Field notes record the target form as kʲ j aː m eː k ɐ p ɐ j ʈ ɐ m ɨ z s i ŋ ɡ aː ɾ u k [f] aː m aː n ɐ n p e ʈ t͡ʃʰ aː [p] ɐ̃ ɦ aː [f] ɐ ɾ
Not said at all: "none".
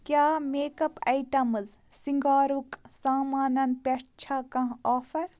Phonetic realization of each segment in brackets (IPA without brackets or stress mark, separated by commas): s, k, f